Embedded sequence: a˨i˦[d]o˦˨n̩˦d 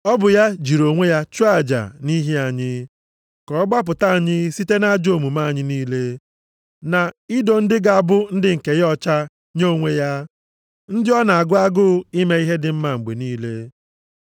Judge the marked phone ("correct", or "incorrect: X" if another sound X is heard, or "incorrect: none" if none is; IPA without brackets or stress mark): correct